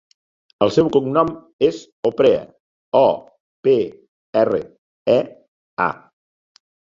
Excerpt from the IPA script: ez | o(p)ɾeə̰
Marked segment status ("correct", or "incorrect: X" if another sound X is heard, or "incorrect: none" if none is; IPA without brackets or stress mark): correct